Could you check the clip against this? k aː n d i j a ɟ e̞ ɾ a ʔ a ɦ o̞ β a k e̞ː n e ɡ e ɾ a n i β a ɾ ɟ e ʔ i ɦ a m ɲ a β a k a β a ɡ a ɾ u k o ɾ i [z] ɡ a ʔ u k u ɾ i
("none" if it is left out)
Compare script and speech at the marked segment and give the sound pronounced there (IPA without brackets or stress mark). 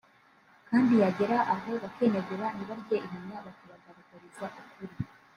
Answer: z